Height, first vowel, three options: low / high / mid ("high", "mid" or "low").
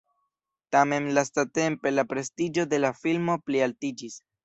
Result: low